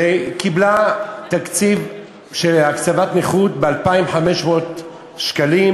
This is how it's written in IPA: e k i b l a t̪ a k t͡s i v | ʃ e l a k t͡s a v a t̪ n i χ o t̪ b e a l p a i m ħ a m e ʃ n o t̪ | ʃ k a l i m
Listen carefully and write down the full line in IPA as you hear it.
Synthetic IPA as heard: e k i b l a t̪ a k t͡s i v | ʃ e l a k t͡s a v a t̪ n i χ u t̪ b e a l p a i m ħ a m e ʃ m o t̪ | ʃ k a l i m